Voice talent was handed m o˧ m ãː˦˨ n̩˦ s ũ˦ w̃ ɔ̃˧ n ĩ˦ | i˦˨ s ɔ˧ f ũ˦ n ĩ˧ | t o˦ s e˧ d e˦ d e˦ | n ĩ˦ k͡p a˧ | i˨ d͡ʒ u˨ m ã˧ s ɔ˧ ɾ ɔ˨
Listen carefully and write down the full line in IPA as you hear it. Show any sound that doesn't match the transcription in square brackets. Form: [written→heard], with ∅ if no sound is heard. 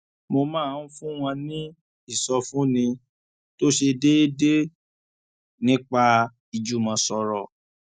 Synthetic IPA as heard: m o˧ m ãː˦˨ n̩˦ [s→f] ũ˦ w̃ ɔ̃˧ n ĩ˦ | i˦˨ s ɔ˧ f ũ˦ n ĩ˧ | t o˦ [s→ʃ] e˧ d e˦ d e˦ | n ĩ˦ k͡p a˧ | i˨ d͡ʒ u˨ m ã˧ s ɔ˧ ɾ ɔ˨